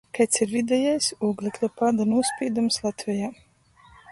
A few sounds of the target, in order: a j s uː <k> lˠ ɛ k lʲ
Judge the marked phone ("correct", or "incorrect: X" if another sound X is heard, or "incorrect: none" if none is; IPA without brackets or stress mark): incorrect: ɡ